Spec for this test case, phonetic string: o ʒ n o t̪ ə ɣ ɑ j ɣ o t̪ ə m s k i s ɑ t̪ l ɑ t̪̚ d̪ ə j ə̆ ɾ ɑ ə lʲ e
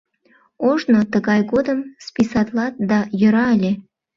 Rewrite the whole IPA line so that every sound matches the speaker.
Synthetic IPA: o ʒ n o t̪ ə ɣ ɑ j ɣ o d̪ ə m s p i s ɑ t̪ l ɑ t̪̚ d̪ ɑ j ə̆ ɾ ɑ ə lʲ e